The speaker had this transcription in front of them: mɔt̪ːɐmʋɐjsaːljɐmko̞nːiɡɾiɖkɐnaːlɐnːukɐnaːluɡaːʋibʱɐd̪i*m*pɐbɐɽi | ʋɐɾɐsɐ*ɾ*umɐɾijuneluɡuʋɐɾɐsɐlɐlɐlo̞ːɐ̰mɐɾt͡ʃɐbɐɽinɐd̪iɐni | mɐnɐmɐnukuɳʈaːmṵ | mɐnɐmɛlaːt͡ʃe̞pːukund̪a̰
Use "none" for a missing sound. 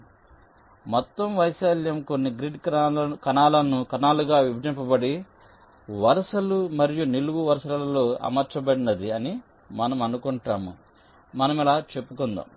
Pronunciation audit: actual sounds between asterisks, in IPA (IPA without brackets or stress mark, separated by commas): m, l